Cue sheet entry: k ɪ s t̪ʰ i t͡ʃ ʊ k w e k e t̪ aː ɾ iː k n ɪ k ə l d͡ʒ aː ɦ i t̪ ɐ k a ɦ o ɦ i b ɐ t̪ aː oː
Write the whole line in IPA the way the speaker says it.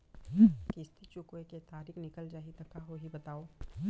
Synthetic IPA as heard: k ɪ s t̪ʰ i t͡ʃ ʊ k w e k e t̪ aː ɾ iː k n ɪ k ə l d͡ʒ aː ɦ i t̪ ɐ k a ɦ o ɦ i b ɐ t̪ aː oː

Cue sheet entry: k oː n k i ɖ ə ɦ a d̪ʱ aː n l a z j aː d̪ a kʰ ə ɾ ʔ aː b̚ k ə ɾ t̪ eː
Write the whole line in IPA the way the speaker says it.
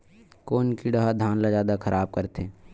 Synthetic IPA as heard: k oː n k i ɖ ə ɦ a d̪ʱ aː n l a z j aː d̪ a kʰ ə ɾ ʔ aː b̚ k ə ɾ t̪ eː

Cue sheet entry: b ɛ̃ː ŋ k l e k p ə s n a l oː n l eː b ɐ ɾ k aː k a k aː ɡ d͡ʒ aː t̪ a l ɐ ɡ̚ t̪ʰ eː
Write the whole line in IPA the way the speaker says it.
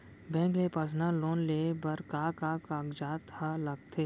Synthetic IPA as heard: b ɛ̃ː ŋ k l e p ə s n a l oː n l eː b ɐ ɾ k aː k a k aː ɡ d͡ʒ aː t̪ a l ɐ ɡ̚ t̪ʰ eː

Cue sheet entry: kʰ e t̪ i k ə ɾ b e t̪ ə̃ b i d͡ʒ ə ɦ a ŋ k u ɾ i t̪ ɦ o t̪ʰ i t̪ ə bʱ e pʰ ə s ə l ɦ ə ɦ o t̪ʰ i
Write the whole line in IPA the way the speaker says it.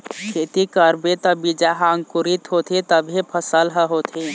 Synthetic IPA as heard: kʰ e t̪ i k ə ɾ b e t̪ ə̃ b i d͡ʒ a ɦ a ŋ k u ɾ i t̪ ɦ o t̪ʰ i t̪ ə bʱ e pʰ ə s ə l ɦ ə ɦ o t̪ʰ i

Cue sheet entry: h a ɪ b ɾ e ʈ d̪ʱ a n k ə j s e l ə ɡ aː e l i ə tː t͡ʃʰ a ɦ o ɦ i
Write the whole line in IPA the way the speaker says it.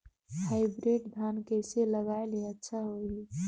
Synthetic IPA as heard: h a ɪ b ɾ e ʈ d̪ʱ a n k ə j s e l ə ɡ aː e l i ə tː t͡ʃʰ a ɦ o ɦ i

